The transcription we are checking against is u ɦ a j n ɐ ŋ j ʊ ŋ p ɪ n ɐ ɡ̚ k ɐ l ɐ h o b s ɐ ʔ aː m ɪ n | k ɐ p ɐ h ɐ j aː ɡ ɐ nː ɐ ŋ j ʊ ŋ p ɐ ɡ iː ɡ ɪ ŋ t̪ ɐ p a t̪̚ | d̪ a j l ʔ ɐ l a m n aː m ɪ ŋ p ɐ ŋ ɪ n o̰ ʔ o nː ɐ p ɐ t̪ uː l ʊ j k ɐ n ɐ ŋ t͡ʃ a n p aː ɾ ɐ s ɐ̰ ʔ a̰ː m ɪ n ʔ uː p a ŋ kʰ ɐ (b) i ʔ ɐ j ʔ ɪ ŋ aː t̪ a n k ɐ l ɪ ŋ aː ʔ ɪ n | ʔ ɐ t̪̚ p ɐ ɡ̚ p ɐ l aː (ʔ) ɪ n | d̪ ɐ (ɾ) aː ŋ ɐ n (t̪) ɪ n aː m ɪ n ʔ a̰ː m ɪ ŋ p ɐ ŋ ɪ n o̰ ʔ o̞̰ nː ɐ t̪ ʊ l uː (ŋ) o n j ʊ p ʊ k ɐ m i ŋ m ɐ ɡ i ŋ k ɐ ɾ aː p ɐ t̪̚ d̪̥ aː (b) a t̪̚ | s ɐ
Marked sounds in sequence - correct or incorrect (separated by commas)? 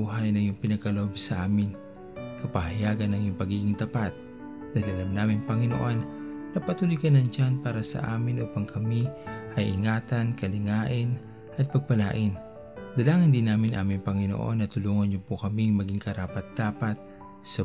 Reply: incorrect, correct, incorrect, incorrect, correct, incorrect